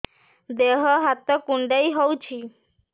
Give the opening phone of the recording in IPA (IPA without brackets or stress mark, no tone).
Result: d̪